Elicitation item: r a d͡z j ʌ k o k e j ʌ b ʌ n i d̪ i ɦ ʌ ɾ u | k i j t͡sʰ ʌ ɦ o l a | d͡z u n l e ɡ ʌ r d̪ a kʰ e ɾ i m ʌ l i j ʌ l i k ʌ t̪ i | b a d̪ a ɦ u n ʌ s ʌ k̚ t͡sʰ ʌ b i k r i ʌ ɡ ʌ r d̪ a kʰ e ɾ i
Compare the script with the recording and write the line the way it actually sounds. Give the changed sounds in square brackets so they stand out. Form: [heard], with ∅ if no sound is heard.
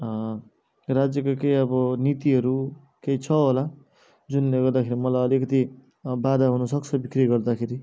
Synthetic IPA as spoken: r a d͡z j ʌ k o k e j ʌ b ʌ n i [t̪] i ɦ ʌ ɾ u | k [e] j t͡sʰ ʌ ɦ o l a | d͡z u n l e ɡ ʌ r d̪ a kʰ e ɾ i m ʌ l [a] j ʌ l i k ʌ t̪ i | b a d̪ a ɦ u n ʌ s ʌ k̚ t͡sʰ ʌ b i k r i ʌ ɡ ʌ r d̪ a kʰ e ɾ i